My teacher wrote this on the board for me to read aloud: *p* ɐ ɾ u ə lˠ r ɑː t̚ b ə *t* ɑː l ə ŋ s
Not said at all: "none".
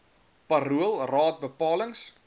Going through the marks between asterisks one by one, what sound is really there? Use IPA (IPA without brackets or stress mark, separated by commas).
p, p